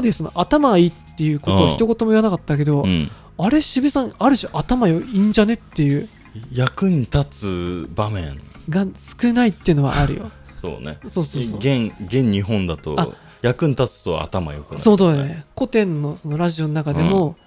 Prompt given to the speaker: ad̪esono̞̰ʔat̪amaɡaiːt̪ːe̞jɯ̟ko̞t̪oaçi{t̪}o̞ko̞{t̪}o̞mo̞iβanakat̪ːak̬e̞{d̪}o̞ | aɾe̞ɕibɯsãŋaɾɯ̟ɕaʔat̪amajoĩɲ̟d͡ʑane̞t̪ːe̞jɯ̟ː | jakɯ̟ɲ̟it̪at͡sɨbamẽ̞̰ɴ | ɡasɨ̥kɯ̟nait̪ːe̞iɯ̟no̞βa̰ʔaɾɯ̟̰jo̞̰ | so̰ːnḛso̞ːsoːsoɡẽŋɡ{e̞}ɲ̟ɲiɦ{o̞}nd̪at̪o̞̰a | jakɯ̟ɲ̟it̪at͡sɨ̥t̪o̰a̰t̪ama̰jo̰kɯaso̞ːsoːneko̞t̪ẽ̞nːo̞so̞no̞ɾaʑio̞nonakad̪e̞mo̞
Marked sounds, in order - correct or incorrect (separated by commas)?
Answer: correct, correct, correct, incorrect, incorrect